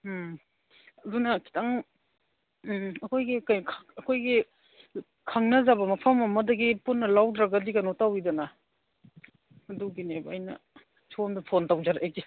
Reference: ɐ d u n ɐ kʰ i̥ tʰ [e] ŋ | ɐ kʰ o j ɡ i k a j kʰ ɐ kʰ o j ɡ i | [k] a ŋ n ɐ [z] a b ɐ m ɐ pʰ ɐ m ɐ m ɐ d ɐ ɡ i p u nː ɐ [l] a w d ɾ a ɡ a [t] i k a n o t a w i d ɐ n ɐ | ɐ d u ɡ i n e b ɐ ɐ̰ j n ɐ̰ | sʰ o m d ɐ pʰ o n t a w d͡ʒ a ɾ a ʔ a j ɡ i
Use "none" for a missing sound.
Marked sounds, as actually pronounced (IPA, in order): a, kʰ, z, l, d

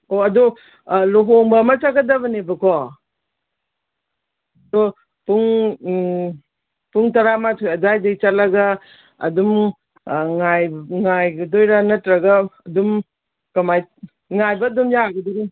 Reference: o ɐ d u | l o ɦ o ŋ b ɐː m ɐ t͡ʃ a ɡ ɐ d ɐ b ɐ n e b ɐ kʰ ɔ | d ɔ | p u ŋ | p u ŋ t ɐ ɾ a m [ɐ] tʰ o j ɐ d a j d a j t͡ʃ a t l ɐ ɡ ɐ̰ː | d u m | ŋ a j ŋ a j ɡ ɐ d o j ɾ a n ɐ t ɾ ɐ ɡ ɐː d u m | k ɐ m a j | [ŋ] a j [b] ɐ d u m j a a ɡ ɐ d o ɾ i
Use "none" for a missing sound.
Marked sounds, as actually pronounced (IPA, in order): a, ŋ, b

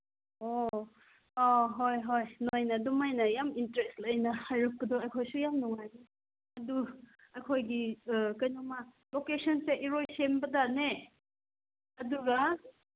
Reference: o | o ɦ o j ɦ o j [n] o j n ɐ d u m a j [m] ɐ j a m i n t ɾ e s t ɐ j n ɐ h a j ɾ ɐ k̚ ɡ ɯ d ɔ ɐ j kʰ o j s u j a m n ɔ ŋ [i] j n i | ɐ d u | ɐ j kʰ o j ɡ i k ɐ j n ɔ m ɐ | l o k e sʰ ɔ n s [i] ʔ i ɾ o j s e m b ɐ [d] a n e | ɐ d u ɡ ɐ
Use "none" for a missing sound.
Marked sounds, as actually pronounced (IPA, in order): n, n, a, e, d

